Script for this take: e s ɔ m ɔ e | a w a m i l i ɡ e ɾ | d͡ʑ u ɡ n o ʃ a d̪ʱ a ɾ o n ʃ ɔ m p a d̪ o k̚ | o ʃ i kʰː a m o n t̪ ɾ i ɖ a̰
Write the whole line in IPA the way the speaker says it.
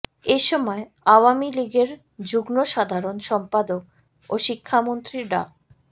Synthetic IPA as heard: e ʃ ɔ m ɔ e | a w a m i l i ɡ e ɾ | d͡ʑ u ɡ n o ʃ a d̪ʱ a ɾ o n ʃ ɔ m p a d̪ o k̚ | o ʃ i kʰː a m o n t̪ ɾ i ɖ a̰